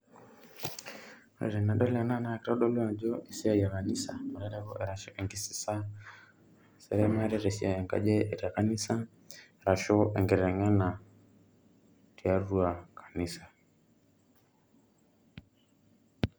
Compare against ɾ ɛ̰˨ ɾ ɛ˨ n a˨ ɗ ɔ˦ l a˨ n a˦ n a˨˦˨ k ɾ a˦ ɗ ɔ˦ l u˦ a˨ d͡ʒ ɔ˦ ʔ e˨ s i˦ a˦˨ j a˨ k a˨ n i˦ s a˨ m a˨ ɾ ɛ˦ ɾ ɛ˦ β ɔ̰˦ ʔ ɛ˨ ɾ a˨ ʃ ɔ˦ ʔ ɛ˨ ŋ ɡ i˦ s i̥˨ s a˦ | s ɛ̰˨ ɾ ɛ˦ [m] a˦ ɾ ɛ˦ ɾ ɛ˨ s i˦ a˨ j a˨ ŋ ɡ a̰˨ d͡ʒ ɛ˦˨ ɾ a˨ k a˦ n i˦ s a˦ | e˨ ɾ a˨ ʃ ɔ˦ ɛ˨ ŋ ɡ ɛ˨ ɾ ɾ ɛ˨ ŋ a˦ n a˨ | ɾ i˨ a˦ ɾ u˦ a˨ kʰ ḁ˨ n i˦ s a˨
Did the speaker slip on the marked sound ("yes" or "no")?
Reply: no